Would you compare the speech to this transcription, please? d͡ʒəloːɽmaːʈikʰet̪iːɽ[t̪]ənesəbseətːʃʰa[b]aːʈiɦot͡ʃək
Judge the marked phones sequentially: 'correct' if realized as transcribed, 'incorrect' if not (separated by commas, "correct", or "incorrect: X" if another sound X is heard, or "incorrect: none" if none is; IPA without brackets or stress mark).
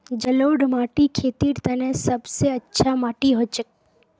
correct, incorrect: m